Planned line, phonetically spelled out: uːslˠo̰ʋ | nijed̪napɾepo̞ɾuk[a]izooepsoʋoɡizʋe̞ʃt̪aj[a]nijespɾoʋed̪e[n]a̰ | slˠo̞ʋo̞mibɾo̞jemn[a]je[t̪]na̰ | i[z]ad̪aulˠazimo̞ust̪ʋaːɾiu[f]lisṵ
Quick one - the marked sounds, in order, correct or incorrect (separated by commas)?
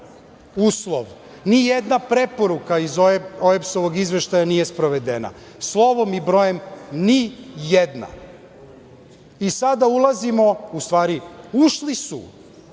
correct, correct, correct, incorrect, incorrect, incorrect, incorrect